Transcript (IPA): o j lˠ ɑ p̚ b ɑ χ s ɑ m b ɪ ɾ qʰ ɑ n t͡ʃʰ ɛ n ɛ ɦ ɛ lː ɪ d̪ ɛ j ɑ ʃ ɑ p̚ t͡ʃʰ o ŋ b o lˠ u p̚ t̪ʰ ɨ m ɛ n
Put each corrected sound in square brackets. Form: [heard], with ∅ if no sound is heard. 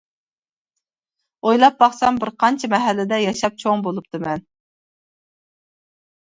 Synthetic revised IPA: o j lˠ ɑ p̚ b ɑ χ s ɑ m b ɪ ɾ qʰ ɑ n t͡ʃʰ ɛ [m] ɛ ɦ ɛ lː ɪ d̪ ɛ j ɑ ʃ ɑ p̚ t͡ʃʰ o ŋ b o lˠ u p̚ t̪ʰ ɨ m ɛ n